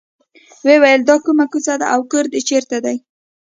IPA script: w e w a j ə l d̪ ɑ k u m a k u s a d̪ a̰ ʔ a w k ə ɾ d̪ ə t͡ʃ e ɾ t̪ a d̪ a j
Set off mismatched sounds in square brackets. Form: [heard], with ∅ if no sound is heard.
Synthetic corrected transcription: w e w a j ə l d̪ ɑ k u m a k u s a d̪ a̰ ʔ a w k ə ɾ d̪ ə t͡ʃ e ɾ t̪ a d̪ a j